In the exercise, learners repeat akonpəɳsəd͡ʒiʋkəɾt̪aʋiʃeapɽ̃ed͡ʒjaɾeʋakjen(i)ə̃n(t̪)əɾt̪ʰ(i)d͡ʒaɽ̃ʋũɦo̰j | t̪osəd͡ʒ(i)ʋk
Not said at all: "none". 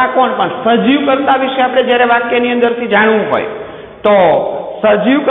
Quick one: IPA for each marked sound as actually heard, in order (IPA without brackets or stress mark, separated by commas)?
i, d̪, i, i